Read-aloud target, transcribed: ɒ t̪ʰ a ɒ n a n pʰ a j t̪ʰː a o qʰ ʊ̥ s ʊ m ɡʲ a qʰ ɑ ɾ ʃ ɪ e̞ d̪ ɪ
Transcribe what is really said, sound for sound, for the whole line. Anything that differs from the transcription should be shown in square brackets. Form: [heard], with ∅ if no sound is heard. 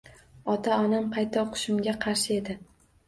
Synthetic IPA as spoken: ɒ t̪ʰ a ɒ n a [m] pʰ a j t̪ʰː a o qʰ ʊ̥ [ʃ] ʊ m ɡʲ a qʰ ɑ ɾ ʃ ɪ e̞ d̪ ɪ